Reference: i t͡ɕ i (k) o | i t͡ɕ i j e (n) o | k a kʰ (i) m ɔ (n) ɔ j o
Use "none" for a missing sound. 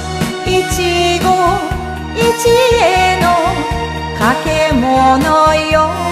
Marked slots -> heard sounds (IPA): ɡ, n, e, n

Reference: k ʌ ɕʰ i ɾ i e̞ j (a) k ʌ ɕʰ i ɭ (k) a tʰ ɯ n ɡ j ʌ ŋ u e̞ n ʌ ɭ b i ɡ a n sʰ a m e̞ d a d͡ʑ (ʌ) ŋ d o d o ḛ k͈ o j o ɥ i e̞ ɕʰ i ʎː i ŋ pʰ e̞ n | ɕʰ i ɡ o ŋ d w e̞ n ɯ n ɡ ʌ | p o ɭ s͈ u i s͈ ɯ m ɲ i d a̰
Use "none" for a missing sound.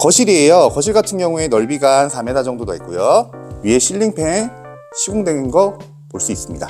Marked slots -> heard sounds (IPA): ʌ, ɡ, ʌ

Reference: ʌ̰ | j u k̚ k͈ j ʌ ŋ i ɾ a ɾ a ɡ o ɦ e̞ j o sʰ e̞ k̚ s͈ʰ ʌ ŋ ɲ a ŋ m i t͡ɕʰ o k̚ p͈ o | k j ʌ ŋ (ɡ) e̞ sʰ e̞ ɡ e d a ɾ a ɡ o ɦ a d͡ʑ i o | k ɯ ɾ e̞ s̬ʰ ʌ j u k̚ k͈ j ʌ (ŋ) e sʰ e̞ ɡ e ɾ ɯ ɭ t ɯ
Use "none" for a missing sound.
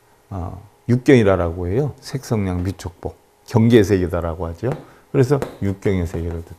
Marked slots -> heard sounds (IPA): ɡ, ŋ

